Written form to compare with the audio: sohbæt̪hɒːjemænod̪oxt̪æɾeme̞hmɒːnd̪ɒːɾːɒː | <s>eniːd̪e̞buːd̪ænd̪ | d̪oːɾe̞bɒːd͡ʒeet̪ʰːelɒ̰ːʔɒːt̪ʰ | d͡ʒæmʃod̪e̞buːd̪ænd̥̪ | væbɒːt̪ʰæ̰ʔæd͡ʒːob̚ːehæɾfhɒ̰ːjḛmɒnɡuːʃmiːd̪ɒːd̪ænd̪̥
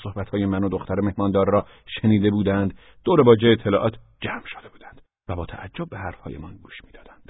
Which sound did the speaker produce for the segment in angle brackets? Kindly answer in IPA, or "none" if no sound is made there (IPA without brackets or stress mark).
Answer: ʃ